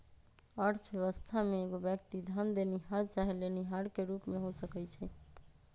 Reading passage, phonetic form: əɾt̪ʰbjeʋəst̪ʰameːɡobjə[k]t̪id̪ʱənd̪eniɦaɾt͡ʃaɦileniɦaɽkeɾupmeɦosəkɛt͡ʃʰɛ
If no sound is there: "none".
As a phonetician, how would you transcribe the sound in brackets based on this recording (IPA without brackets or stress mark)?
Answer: k